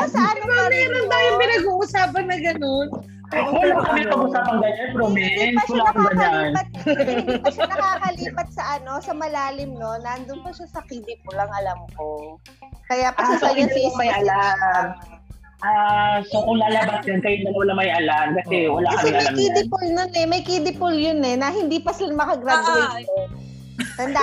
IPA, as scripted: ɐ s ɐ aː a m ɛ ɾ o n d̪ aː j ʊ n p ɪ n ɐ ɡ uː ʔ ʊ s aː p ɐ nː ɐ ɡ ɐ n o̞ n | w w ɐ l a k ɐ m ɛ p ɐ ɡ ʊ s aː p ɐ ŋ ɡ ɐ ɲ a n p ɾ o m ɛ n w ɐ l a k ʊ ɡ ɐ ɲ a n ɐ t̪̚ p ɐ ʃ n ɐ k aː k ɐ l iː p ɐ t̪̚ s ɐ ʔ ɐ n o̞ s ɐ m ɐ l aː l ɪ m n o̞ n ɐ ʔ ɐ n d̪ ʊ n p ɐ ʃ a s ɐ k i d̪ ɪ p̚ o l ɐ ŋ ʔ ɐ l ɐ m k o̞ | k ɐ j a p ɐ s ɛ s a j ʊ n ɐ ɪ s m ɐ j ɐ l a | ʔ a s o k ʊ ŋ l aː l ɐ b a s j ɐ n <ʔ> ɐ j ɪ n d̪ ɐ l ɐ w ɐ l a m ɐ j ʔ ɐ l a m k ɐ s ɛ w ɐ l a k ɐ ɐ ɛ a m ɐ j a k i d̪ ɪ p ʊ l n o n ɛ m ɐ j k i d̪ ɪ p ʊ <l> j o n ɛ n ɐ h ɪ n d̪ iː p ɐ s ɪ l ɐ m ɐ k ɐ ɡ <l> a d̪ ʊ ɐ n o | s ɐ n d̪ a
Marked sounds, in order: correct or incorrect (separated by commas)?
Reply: incorrect, correct, incorrect